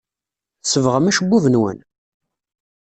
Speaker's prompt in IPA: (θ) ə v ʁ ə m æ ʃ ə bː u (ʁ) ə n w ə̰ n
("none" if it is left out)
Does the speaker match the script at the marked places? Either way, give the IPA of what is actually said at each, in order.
s, v

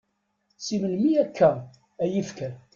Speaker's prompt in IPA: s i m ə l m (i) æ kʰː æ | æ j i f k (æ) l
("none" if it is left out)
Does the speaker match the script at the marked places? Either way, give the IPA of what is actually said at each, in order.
i, æ

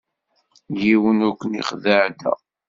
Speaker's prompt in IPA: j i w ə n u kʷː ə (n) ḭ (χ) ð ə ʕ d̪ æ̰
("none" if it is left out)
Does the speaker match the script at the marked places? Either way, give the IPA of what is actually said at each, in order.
n, χ

